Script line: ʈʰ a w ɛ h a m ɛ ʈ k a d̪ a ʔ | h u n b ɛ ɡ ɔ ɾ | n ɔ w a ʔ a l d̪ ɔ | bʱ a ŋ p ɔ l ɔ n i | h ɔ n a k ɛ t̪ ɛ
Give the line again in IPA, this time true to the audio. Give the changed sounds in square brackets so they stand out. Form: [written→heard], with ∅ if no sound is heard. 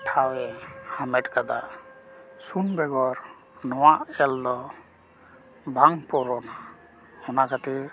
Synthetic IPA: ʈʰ a w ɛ h a m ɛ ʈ k a d̪ a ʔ | [h→s] u n b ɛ ɡ ɔ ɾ | n ɔ w a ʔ [a→ɛ] l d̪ ɔ | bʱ a ŋ p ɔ [l→ɾ] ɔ n [i→a] | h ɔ n a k [ɛ→a] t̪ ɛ